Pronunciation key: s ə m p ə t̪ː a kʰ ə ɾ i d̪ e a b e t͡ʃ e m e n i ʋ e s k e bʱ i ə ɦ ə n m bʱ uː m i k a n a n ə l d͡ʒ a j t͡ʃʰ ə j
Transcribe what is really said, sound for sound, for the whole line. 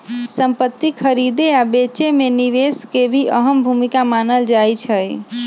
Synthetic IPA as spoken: s ə m p ə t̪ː i kʰ ə ɾ i d̪ e a b e t͡ʃ e m e n i ʋ e s k e bʱ i ə ɦ ə m bʱ u m i k a m a n ə l d͡ʒ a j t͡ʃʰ ə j